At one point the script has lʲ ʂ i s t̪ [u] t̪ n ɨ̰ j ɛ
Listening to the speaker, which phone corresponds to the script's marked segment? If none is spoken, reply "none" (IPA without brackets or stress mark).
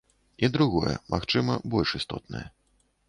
ɔ